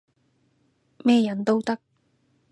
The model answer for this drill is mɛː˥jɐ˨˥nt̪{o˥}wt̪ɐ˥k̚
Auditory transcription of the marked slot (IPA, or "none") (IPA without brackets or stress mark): o˥